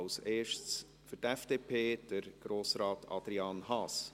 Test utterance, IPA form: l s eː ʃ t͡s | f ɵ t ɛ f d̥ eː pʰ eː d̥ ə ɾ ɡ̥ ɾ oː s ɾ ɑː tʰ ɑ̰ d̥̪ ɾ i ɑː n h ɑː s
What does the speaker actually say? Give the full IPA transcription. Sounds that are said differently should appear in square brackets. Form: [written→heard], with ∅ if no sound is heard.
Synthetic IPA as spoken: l s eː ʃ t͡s | f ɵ t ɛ f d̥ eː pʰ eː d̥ ə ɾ ɡ̥ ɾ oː s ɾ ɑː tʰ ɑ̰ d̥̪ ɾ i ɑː n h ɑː s